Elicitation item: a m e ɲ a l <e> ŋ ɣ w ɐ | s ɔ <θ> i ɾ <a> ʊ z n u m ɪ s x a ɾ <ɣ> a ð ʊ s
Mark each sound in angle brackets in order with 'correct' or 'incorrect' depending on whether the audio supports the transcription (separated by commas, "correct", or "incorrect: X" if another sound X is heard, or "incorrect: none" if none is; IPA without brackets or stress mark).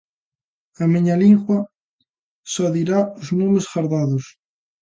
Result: incorrect: i, incorrect: ð, correct, incorrect: ð